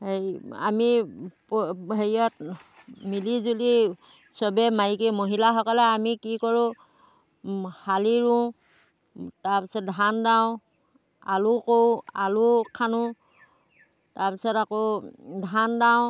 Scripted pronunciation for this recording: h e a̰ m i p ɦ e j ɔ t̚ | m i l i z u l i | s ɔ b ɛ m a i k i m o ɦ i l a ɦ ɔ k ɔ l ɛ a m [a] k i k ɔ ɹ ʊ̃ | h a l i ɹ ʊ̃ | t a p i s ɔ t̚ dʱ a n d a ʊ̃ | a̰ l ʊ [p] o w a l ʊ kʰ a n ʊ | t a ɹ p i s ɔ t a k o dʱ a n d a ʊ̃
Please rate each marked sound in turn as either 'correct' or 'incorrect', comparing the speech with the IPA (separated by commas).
incorrect, incorrect